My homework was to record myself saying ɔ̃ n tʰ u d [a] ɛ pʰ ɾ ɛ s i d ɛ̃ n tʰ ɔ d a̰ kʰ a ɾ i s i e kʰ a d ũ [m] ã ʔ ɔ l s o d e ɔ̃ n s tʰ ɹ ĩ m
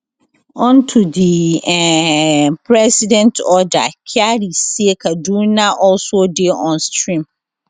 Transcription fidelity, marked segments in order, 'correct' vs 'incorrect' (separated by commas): incorrect, incorrect